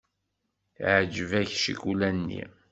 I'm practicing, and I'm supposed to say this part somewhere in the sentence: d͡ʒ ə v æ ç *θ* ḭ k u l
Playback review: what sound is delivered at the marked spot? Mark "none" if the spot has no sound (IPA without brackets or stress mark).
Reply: ʃ